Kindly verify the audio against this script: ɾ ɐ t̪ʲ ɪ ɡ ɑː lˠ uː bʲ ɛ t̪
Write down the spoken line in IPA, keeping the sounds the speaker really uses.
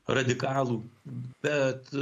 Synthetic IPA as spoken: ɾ ɐ d̪ʲ ɪ k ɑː lˠ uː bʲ ɛ t̪